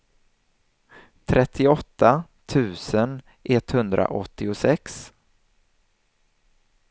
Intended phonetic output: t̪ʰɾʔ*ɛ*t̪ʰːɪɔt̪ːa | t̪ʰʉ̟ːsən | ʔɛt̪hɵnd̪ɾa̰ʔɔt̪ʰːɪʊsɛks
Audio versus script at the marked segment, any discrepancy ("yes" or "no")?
no